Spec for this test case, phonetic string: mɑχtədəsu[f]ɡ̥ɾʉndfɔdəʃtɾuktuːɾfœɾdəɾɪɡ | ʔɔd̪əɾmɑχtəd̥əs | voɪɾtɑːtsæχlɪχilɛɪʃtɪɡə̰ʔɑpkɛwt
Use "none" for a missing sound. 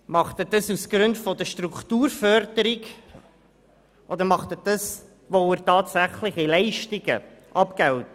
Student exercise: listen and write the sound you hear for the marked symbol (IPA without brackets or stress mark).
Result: s